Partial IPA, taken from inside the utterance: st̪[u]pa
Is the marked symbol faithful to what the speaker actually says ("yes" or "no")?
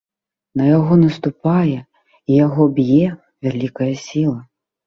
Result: yes